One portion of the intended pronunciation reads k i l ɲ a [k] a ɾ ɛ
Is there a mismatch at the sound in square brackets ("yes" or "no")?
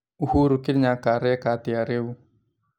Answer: no